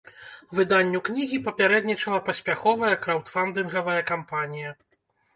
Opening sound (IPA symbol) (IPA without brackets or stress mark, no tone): v